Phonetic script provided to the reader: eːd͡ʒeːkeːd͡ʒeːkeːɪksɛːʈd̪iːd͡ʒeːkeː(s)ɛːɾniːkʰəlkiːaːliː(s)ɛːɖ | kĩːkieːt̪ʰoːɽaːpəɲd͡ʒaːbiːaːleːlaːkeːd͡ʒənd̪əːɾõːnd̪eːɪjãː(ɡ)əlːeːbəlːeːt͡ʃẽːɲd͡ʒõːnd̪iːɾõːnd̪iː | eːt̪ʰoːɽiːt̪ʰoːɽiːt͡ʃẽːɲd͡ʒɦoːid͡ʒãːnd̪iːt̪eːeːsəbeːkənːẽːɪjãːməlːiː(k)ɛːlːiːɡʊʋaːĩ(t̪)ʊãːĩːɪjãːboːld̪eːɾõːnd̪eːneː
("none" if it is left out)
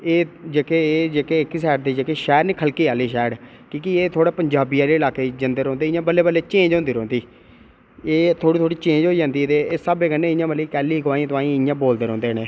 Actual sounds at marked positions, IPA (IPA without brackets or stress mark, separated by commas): ʃ, ʃ, b, k, t̪